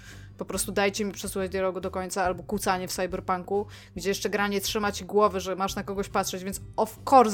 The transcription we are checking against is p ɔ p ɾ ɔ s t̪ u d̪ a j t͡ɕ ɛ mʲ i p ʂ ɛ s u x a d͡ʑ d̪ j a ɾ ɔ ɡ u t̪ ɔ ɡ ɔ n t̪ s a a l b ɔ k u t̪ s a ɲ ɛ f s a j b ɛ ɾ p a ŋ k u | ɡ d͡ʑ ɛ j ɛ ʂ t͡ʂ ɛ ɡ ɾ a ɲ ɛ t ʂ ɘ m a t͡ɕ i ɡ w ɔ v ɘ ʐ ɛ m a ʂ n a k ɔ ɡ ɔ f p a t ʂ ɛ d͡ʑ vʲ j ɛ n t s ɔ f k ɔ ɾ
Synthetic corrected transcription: p ɔ p ɾ ɔ s t̪ u d̪ a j t͡ɕ ɛ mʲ i p ʂ ɛ s u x a d͡ʑ d̪ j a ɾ ɔ ɡ u d̪ ɔ k ɔ ɲ t̪ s a a l b ɔ k u t̪ s a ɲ ɛ f s a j b ɛ ɾ p a ŋ k u | ɡ d͡ʑ ɛ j ɛ ʂ t͡ʂ ɛ ɡ ɾ a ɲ ɛ t ʂ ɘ m a t͡ɕ i ɡ w ɔ v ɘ ʐ ɛ m a ʂ n a k ɔ ɡ ɔ ɕ p a t ʂ ɛ d͡ʑ vʲ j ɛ n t s ɔ f k ɔ ɾ